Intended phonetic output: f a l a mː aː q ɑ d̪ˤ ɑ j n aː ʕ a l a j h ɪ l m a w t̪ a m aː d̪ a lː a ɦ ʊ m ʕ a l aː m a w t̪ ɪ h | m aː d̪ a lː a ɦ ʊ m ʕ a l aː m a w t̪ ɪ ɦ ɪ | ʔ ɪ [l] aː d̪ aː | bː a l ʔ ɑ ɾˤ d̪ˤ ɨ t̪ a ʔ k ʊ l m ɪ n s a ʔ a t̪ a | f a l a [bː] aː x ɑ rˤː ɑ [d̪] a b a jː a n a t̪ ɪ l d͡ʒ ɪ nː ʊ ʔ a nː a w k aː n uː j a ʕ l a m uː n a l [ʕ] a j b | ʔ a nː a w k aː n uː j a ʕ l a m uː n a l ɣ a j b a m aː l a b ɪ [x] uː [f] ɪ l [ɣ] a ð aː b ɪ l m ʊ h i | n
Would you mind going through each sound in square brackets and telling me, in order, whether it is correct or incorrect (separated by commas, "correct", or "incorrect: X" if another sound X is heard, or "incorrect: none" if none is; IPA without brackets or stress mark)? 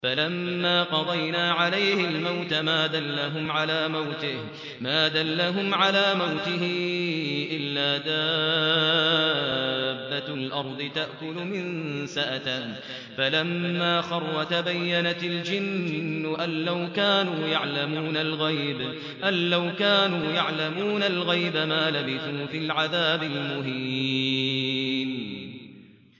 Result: incorrect: lː, incorrect: mː, incorrect: t̪, incorrect: ɣ, incorrect: θ, correct, incorrect: ʕ